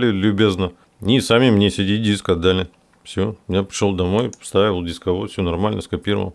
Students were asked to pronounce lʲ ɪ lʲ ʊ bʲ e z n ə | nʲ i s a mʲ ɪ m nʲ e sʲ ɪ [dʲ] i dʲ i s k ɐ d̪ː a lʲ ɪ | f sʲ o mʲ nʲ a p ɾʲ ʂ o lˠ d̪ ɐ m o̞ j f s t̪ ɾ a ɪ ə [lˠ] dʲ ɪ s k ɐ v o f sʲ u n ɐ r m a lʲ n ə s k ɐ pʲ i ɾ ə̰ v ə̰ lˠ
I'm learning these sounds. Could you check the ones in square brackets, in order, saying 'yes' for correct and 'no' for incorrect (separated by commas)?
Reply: yes, yes